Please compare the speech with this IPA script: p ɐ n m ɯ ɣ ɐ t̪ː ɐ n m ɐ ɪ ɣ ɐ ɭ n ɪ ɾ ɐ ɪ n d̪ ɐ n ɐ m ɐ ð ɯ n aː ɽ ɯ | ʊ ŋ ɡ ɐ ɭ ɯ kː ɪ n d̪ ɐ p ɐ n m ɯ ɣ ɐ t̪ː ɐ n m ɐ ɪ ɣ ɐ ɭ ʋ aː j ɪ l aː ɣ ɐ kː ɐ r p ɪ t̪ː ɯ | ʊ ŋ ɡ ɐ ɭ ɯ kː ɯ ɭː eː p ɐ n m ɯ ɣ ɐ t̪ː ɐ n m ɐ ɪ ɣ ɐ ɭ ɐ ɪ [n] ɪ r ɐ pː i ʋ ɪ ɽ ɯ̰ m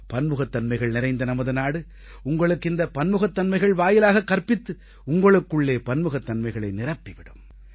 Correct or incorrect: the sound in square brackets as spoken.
correct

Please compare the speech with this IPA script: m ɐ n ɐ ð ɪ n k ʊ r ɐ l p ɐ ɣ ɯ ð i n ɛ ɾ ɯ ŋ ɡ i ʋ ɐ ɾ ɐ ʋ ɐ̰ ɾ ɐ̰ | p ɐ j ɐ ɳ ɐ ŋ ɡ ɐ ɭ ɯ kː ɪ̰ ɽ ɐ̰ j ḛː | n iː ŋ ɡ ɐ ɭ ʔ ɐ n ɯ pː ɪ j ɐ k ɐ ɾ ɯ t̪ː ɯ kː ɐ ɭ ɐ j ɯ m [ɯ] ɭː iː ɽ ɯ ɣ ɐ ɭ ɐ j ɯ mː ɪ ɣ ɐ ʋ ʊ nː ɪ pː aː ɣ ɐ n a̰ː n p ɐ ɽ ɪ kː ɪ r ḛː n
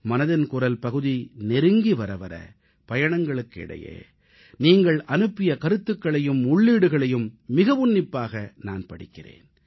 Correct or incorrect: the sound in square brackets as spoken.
incorrect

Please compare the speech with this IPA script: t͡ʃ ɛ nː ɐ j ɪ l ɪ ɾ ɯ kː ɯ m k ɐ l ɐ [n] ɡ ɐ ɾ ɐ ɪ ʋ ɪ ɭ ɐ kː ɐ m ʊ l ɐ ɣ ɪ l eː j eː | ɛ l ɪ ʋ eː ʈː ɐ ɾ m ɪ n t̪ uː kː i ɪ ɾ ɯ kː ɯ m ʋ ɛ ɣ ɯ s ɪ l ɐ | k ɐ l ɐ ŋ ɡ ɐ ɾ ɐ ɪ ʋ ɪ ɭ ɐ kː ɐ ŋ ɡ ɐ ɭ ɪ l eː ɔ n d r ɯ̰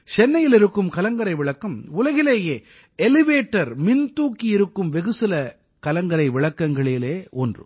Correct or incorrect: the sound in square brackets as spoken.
incorrect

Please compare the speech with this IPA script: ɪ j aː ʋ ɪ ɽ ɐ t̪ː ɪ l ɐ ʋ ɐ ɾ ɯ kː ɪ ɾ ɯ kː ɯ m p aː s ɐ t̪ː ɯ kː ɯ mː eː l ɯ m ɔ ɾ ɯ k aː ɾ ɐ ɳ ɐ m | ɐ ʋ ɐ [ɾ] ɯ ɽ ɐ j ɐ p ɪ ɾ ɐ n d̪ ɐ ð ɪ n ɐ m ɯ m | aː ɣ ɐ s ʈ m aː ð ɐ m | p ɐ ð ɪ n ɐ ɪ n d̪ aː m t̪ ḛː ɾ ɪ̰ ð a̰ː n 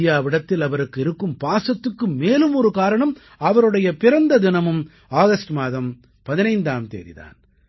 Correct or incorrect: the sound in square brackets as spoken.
correct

